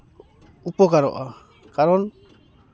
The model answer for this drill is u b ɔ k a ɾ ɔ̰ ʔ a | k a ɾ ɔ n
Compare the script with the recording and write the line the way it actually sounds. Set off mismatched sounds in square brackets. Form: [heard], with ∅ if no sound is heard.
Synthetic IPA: u [p] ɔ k a ɾ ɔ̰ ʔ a | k a ɾ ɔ n

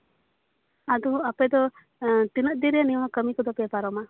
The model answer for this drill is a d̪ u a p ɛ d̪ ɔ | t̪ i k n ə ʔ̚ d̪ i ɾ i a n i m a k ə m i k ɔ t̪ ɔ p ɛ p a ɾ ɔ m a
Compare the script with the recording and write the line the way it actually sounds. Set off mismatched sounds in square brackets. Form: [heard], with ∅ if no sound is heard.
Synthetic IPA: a d̪ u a p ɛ d̪ ɔ | t̪ i [∅] n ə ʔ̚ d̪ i ɾ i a n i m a k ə m i k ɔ [d̪] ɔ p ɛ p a ɾ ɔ m a

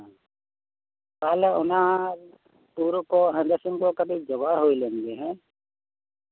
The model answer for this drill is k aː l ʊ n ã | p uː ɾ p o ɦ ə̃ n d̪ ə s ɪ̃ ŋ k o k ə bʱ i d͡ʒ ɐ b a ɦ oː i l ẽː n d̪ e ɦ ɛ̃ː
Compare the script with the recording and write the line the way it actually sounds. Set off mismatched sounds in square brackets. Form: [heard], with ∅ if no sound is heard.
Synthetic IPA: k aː l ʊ n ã | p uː ɾ [k] o ɦ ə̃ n d̪ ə s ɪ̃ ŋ k o k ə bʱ i d͡ʒ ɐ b a ɦ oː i l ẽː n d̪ e ɦ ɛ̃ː

